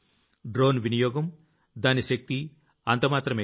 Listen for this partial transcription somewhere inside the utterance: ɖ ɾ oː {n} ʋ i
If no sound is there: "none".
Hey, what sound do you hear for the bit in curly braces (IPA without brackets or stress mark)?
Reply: n